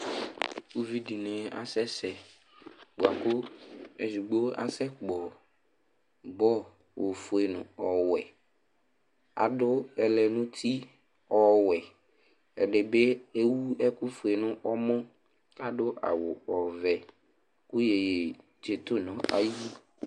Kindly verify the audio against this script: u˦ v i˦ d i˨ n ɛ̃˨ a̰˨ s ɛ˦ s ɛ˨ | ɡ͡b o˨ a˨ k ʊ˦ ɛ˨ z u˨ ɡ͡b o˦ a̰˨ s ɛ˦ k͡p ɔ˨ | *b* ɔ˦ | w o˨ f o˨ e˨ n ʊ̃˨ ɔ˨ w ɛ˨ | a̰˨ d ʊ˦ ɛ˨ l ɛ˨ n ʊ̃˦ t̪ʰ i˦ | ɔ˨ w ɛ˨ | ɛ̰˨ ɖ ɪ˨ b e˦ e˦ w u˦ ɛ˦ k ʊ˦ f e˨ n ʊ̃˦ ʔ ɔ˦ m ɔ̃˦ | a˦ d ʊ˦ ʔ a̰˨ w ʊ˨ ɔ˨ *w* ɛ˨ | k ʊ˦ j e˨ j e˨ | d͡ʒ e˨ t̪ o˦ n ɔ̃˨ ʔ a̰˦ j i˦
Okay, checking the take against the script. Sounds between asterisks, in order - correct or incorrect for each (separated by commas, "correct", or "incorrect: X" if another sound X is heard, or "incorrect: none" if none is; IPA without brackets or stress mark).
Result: correct, incorrect: v